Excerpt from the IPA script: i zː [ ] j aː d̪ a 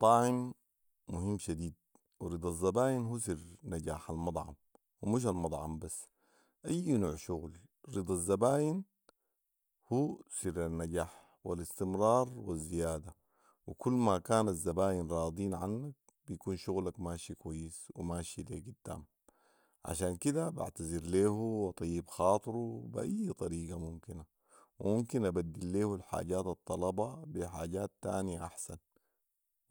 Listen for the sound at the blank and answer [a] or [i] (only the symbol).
i